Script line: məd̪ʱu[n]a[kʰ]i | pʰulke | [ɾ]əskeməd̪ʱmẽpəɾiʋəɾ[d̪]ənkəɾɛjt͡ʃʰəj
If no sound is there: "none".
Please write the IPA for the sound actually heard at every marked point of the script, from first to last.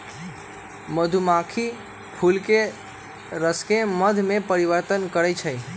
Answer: m, kʰ, ɾ, t̪

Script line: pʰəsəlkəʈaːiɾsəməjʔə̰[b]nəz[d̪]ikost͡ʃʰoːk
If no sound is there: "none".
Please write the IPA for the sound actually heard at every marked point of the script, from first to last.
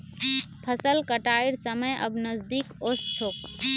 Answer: b, d̪

